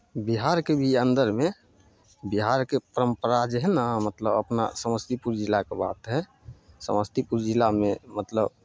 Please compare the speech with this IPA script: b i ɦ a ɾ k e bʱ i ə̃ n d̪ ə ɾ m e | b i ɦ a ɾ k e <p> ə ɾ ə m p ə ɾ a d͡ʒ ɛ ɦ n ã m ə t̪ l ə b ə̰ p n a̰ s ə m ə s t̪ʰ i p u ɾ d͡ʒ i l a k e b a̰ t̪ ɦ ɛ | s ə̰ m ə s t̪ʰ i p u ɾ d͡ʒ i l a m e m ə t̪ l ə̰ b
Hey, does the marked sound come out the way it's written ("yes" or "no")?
yes